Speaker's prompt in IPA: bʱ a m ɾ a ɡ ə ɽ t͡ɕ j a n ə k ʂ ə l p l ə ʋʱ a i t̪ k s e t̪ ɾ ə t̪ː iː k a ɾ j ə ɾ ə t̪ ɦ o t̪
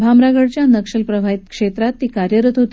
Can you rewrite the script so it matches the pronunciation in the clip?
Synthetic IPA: bʱ a m ɾ a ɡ ə ɽ t͡ɕ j a n ə k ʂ ə l p ɾ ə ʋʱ a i t̪ k ʂ e t̪ ɾ a t̪ː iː k a ɾ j ə ɾ ə t̪ ɦ o t̪